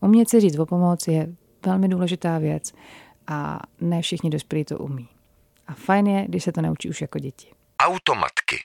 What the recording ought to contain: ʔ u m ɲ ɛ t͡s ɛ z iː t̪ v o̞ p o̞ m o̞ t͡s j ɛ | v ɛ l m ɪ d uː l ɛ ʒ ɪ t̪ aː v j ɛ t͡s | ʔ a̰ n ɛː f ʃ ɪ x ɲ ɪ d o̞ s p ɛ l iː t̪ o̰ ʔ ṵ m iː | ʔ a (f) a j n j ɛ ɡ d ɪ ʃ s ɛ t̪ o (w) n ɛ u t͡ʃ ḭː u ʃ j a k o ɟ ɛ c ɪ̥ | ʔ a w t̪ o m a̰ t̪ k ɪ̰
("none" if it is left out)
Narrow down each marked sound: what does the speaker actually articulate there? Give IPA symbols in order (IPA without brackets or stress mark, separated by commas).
f, none